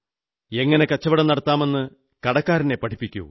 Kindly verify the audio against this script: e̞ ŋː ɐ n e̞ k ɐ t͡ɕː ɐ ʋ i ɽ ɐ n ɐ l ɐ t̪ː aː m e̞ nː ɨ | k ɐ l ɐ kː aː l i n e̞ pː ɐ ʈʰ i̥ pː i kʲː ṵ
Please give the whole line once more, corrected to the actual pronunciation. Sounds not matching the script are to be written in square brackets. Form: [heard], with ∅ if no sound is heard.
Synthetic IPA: e̞ ŋː ɐ n e̞ k ɐ t͡ɕː ɐ ʋ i ɽ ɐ n ɐ [ɽ] ɐ t̪ː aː m e̞ nː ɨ | k ɐ [ɽ] ɐ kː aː [ɾ] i n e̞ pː ɐ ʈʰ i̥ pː i kʲː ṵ